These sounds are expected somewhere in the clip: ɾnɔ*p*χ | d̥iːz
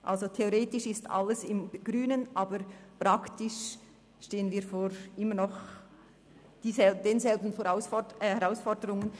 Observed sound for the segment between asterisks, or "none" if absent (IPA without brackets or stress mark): none